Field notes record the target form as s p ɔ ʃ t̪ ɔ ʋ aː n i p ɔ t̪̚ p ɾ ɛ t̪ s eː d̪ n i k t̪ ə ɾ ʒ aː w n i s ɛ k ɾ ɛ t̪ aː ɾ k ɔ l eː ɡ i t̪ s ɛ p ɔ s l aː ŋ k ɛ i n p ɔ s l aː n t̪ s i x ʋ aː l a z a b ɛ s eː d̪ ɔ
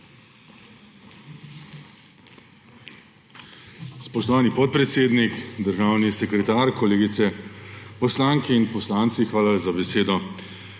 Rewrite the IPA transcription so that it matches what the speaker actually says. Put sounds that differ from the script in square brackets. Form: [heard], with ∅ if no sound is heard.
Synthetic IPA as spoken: s p ɔ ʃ t̪ ɔ ʋ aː n i p ɔ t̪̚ p ɾ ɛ t̪ s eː d̪ n i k [d̪] ə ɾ ʒ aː w n i s ɛ k ɾ ɛ t̪ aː ɾ k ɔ l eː ɡ i t̪ s ɛ p ɔ s l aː ŋ k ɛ i n p ɔ s l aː n t̪ s i x ʋ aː l a z a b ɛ s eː d̪ ɔ